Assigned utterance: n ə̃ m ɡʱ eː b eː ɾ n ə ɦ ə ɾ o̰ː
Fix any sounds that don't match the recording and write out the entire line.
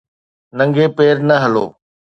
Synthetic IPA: n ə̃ ŋ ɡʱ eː p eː ɾ n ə ɦ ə l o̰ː